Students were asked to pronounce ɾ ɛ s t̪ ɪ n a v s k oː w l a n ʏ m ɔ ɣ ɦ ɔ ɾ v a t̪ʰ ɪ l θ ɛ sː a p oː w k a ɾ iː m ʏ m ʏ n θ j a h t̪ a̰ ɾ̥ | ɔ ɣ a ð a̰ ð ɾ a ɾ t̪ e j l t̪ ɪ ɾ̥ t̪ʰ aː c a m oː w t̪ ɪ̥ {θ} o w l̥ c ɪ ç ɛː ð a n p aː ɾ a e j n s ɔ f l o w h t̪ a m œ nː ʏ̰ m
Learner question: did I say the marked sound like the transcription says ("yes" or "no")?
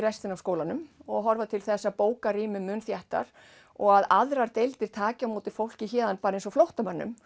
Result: no